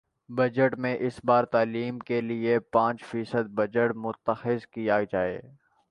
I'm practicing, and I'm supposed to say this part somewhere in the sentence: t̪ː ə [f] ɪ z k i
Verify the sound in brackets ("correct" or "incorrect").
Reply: incorrect